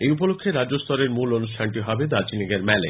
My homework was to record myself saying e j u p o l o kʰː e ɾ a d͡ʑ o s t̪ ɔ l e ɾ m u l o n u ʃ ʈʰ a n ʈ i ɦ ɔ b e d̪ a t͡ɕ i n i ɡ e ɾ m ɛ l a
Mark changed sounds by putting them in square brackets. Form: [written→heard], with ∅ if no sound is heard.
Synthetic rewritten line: e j u p o l o kʰː e ɾ a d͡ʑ o s t̪ ɔ [l→ɾ] e ɾ m u l o n u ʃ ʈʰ a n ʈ i ɦ ɔ b e d̪ a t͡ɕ i n i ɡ e ɾ m ɛ l [a→e]